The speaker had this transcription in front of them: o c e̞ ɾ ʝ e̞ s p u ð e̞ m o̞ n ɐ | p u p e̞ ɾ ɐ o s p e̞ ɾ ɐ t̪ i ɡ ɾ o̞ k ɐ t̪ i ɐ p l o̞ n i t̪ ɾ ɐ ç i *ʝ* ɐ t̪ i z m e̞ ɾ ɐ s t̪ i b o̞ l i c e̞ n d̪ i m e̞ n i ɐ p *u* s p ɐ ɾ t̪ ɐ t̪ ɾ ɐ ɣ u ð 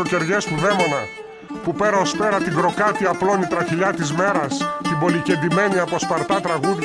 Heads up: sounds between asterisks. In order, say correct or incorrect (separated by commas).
incorrect, incorrect